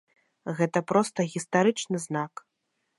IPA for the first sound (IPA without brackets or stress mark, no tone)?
ɣ